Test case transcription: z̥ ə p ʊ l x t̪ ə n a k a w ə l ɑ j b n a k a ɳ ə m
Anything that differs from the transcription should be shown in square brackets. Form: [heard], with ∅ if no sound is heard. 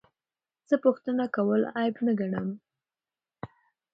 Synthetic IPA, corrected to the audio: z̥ ə p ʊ [∅] x t̪ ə n a k a w ə l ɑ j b n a [ɡ] a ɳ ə m